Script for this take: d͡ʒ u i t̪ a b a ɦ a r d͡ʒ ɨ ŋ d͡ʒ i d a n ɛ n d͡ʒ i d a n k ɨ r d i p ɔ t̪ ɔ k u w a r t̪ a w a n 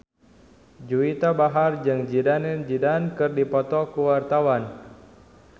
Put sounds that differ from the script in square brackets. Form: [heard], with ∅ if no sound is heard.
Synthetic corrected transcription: d͡ʒ u i t̪ a b a ɦ a r d͡ʒ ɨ ŋ d͡ʒ i d a n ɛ n d͡ʒ i d a n k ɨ r d i p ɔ t̪ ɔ k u w a r t̪ a w a n